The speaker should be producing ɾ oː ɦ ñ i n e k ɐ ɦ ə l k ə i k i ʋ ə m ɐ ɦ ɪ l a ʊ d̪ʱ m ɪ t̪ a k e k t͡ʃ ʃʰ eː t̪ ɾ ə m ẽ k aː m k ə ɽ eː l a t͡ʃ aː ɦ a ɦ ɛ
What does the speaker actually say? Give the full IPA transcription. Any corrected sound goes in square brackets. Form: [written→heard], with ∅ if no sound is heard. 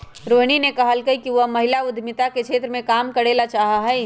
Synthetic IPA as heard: ɾ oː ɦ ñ i n e k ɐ ɦ ə l k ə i k i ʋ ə m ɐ ɦ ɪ l a ʊ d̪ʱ m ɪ t̪ a k e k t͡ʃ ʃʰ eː t̪ ɾ ə m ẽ k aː m k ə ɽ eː l a t͡ʃ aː ɦ a ɦ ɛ